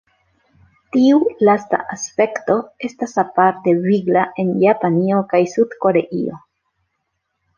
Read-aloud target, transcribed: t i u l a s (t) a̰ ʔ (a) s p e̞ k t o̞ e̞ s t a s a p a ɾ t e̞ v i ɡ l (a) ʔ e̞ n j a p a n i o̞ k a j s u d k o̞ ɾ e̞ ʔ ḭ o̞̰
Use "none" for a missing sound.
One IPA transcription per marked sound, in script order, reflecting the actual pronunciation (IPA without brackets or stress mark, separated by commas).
t, a, a